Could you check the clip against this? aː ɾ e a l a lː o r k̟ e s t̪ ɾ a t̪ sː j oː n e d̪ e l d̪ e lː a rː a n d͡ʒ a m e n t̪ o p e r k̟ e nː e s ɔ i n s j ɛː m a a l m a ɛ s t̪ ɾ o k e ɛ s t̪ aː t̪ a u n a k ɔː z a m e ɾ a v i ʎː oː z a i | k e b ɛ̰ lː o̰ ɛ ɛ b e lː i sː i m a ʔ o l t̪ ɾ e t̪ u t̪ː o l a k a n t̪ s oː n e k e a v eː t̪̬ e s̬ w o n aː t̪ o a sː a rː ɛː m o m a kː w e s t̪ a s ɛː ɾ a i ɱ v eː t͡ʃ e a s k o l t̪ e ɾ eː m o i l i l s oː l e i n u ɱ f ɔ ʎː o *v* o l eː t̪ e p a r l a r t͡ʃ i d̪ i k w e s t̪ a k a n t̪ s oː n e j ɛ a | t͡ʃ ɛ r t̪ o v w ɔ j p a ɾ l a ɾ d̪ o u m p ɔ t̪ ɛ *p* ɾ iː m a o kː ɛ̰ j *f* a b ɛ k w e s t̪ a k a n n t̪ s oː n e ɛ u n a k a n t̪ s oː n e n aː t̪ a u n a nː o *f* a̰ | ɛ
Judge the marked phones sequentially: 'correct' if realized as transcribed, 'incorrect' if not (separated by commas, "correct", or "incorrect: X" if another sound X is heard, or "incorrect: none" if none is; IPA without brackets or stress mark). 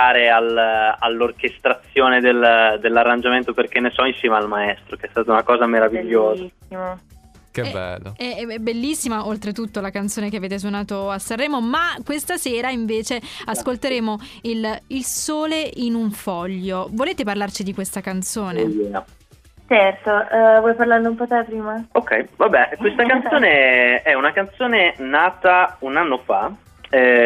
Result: correct, correct, incorrect: v, correct